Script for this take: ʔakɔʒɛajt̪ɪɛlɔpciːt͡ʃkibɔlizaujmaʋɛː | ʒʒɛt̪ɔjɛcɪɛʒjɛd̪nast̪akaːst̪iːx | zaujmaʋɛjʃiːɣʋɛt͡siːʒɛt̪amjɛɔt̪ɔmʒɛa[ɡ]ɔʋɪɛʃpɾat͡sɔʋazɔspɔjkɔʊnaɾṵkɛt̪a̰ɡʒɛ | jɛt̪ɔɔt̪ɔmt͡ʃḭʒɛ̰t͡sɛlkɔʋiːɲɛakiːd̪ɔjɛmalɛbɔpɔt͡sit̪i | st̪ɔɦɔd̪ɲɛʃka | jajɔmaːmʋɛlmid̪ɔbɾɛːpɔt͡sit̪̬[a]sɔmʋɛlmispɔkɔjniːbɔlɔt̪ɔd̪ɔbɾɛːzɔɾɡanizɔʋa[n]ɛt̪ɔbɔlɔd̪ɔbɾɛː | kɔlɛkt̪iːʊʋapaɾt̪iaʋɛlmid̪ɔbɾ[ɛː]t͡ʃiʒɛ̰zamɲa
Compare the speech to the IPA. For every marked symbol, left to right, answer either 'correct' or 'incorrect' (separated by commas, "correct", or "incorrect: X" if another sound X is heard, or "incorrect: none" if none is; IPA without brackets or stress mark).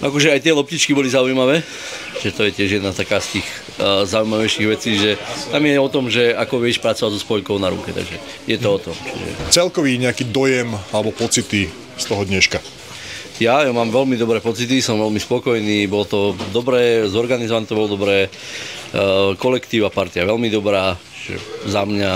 incorrect: k, incorrect: i, correct, incorrect: aː